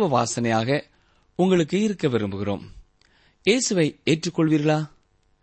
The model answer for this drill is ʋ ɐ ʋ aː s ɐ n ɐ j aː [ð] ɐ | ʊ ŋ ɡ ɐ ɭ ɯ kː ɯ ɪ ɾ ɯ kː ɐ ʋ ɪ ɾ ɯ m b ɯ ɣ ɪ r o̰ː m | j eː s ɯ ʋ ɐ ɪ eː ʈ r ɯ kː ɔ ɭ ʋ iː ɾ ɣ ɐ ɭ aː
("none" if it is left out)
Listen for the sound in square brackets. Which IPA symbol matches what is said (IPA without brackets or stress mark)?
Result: ɣ